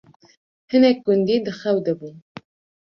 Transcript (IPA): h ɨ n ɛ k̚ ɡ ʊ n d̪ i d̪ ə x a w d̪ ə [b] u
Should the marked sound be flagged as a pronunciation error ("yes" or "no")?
no